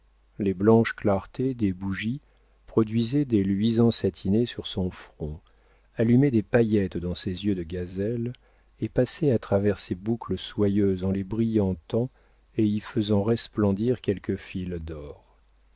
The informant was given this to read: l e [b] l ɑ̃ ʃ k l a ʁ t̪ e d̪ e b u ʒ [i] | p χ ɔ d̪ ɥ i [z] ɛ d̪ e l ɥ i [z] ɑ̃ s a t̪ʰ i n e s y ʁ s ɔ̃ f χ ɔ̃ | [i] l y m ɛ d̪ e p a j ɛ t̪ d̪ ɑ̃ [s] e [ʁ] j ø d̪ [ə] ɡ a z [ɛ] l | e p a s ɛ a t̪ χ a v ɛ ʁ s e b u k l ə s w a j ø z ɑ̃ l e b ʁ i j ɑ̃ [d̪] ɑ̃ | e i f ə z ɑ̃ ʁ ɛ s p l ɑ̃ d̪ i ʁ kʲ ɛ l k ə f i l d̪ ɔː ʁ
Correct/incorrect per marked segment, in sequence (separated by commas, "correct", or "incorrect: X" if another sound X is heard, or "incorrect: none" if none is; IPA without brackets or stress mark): correct, correct, correct, correct, incorrect: a, correct, incorrect: z, correct, correct, incorrect: t̪